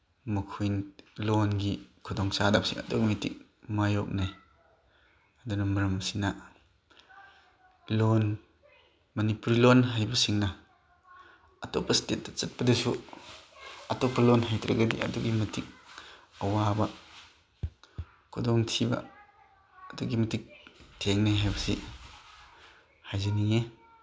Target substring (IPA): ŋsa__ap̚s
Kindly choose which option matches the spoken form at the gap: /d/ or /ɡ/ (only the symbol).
d